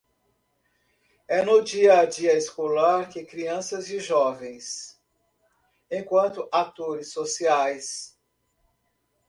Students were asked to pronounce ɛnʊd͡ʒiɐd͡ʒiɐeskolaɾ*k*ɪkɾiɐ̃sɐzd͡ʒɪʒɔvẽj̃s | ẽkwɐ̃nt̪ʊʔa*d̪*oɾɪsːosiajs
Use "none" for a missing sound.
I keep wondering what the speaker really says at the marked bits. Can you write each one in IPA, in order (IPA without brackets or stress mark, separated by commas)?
k, t̪